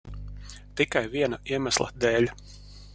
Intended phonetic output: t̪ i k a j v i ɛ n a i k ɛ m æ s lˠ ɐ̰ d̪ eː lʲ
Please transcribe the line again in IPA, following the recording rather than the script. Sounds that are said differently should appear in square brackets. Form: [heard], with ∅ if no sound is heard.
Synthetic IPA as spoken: t̪ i k a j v i ɛ n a i [∅] ɛ m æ s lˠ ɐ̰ d̪ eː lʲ